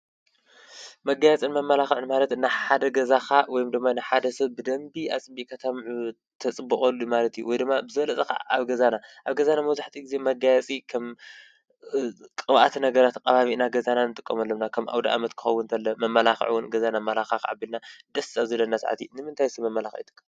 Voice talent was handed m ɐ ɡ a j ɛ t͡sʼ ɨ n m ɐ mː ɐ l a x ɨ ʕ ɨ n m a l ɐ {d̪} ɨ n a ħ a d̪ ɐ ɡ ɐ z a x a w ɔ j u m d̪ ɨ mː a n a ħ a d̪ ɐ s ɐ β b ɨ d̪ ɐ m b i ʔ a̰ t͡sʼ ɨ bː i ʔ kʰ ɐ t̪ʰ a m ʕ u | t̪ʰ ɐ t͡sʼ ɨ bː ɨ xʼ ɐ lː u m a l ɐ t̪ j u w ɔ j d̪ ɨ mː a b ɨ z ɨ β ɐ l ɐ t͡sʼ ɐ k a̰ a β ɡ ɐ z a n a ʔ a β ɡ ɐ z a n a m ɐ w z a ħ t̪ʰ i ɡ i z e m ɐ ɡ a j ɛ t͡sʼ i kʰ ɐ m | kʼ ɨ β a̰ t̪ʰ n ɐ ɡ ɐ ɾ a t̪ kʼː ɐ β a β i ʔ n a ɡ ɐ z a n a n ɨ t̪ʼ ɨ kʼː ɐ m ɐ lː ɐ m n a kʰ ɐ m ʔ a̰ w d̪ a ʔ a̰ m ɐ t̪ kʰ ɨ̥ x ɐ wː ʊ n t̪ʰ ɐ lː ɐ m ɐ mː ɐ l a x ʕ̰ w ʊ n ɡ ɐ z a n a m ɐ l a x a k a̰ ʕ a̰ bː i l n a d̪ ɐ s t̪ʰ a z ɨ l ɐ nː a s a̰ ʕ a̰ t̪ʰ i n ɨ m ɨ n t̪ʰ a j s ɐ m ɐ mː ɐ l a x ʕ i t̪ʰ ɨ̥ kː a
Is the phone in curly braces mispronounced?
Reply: yes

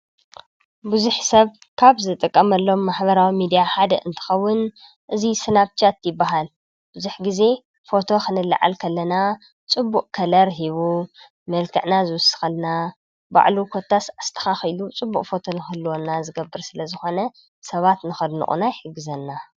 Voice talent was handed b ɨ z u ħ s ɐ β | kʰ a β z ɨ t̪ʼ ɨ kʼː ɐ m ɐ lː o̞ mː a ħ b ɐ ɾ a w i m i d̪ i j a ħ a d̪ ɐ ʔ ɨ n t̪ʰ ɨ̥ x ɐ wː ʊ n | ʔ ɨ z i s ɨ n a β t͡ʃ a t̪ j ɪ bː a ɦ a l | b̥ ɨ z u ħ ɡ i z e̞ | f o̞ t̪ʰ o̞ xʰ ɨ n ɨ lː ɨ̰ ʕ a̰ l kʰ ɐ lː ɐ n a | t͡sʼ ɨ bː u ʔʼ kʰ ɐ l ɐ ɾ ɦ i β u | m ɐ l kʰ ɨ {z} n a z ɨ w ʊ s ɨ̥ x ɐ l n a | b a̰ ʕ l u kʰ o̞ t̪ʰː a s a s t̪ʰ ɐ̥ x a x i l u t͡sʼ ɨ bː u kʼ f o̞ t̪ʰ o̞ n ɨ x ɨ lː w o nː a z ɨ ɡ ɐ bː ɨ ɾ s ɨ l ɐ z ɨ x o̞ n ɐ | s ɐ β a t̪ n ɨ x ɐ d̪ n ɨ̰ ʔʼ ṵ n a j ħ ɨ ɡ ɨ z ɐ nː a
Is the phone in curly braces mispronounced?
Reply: yes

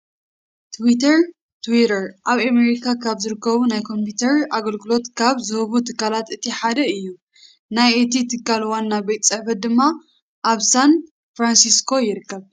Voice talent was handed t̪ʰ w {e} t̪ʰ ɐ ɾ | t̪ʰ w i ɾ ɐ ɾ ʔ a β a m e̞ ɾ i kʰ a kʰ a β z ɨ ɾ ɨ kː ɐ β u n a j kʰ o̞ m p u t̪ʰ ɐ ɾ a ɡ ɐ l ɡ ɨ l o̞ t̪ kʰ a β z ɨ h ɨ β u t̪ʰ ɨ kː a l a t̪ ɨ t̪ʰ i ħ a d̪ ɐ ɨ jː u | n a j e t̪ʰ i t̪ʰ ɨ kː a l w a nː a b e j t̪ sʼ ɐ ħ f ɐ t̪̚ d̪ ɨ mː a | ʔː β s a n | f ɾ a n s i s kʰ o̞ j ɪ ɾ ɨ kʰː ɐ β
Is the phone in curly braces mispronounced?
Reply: yes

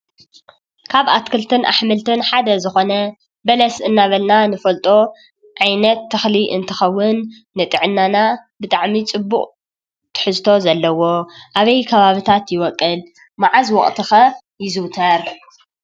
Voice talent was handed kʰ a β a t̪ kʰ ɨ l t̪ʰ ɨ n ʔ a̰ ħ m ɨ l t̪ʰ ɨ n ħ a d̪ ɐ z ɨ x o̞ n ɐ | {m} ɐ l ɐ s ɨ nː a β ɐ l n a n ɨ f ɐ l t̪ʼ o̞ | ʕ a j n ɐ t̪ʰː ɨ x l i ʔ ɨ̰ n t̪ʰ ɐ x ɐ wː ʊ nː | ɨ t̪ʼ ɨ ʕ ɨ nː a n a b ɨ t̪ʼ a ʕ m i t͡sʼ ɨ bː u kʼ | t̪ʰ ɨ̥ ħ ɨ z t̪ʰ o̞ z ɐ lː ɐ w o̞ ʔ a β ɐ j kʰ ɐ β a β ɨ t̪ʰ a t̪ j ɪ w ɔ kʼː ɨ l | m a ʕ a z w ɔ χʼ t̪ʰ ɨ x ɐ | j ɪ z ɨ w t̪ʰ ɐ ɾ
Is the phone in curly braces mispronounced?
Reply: yes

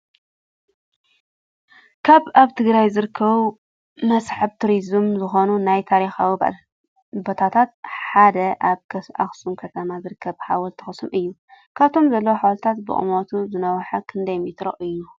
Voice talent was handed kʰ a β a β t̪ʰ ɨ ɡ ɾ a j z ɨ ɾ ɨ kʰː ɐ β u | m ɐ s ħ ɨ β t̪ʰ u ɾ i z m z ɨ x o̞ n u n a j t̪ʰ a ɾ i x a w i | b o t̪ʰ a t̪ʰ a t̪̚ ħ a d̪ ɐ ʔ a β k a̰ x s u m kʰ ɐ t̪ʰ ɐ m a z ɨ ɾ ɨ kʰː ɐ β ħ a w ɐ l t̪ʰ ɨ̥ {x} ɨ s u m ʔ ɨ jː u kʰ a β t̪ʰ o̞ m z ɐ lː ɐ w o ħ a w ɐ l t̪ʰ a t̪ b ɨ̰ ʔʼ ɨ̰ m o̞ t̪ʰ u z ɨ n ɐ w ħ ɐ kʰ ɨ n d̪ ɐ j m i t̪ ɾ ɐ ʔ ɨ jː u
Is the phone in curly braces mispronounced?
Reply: no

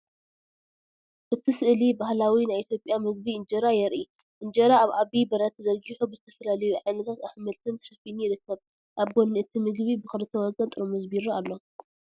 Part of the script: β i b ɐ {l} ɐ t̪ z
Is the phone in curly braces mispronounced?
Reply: yes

